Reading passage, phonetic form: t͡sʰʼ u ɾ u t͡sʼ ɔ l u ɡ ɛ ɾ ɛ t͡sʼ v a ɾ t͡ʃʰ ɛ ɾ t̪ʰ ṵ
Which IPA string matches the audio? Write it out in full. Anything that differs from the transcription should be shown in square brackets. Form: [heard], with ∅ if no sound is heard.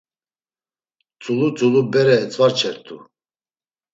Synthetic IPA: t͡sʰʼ u [l] u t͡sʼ [u] l u [b] ɛ ɾ ɛ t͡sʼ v a ɾ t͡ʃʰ ɛ ɾ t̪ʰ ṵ